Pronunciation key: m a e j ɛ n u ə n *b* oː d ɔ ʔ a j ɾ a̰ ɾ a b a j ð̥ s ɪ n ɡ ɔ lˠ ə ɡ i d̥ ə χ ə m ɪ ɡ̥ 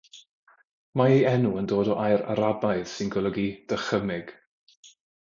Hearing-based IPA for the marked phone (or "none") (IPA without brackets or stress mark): d